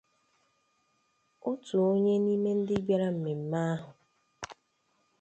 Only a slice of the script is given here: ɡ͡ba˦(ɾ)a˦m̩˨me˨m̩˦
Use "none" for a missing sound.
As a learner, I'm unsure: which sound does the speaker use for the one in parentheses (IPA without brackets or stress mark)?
ɾ